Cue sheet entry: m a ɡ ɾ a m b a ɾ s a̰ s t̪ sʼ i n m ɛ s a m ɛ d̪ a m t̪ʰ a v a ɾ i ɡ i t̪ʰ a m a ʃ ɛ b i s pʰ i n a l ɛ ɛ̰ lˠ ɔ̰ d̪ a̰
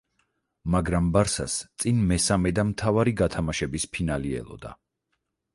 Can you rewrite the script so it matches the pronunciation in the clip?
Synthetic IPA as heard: m a ɡ ɾ a m b a ɾ s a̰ s t̪ sʼ i n m ɛ s a m ɛ d̪ a m t̪ʰ a v a ɾ i ɡ a t̪ʰ a m a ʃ ɛ b i s pʰ i n a l i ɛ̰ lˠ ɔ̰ d̪ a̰